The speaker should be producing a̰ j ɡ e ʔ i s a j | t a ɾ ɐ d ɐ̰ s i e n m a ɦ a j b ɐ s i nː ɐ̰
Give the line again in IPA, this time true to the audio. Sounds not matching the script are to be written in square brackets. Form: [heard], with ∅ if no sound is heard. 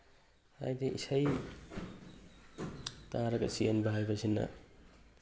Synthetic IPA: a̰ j [d] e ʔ i s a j | t a ɾ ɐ [ɡ] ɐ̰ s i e n [b] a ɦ a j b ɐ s i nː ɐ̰